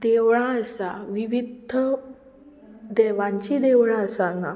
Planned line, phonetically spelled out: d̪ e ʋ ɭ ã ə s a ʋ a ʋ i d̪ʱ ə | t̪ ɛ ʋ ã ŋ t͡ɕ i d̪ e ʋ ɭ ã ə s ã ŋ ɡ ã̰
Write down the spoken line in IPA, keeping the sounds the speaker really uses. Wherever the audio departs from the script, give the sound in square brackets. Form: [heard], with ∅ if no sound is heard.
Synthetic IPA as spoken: d̪ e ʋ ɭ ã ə s a ʋ [i] ʋ i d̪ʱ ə | [d̪] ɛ ʋ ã [ɲ] t͡ɕ i d̪ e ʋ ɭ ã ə s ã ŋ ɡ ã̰